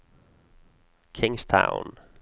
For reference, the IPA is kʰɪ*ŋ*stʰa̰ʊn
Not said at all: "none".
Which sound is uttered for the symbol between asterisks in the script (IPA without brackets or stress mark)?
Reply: ŋ